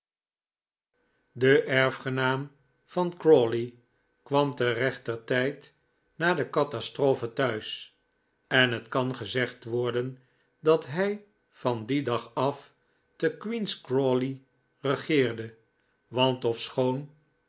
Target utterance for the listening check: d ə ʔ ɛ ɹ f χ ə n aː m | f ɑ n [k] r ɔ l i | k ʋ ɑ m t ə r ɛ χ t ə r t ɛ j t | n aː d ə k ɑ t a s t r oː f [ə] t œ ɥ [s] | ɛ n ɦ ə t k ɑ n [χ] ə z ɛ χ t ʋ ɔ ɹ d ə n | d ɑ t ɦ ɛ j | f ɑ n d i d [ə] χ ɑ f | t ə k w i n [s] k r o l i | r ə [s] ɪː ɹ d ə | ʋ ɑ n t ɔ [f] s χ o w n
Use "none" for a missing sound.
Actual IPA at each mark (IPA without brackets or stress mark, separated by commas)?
k, ə, s, χ, ɑ, s, χ, f